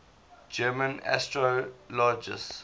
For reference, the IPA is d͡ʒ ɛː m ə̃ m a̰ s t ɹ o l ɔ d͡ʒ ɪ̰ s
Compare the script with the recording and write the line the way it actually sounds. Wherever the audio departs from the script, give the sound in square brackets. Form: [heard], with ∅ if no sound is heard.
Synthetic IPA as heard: d͡ʒ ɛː m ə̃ [n] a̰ s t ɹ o l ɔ d͡ʒ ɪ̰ s

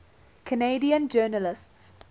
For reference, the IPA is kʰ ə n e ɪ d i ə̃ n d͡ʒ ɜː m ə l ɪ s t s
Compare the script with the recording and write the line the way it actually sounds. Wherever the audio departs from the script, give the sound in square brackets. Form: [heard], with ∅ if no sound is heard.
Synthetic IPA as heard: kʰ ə n e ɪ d i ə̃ n d͡ʒ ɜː [n] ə l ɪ s t s

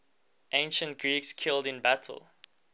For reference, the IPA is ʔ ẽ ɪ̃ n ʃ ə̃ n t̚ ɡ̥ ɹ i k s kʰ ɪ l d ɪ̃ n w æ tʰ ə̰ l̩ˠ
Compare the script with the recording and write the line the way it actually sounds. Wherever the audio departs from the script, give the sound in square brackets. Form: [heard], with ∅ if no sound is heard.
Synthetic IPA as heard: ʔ ẽ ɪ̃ n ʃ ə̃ n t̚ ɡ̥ ɹ i k s kʰ ɪ l d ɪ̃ n [b] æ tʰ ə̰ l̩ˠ

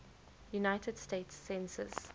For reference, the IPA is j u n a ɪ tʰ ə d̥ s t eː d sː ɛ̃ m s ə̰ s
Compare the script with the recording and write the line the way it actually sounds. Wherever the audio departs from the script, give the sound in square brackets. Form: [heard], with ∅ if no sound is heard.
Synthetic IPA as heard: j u n a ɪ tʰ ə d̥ s t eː [t] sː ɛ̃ [n] s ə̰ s

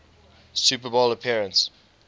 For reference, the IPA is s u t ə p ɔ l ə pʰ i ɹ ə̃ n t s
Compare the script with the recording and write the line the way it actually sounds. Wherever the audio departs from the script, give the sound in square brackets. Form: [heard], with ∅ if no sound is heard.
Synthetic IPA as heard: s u [p] ə [b] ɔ l ə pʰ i ɹ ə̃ n t s

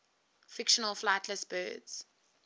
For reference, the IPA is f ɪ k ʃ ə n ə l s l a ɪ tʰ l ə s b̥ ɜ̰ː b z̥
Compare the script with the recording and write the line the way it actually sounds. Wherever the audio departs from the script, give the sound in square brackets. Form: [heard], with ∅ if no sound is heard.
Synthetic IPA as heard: f ɪ k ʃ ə n ə l [f] l a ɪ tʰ l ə s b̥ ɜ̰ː [d] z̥

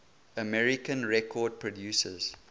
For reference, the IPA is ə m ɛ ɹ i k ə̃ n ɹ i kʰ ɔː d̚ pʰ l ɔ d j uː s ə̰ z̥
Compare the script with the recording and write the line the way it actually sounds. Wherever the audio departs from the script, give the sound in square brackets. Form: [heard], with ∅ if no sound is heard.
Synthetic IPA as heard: ə m ɛ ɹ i k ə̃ n ɹ [ɛ] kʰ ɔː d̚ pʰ [ɹ] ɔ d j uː s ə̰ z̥

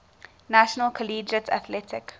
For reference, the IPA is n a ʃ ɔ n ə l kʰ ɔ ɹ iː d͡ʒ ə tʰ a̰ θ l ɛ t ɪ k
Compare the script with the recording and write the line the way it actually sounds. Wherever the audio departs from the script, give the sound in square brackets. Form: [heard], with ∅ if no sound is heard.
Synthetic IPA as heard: n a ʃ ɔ n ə l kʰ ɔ [l] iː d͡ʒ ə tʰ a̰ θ l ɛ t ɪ k

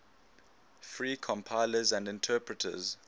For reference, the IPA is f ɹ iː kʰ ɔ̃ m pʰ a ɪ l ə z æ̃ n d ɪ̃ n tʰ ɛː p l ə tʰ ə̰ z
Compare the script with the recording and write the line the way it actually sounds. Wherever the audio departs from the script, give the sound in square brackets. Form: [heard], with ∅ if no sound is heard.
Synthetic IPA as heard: f ɹ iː kʰ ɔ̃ m pʰ a ɪ l ə z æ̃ n d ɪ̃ n tʰ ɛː p [ɹ] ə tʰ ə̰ z

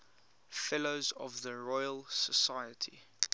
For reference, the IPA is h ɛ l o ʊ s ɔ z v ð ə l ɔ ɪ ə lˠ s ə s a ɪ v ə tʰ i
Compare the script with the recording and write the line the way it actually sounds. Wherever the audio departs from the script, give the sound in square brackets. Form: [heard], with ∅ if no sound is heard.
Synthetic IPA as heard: [f] ɛ l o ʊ [z] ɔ [∅] v ð ə [ɹ] ɔ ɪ ə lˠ s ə s a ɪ [∅] ə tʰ i

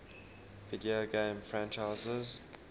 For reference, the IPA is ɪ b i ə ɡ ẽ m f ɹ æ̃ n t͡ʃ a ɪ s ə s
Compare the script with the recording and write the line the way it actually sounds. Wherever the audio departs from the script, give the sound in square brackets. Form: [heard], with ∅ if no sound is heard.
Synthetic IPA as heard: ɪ [d] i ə ɡ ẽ m f ɹ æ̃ n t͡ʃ a ɪ [z] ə [z]

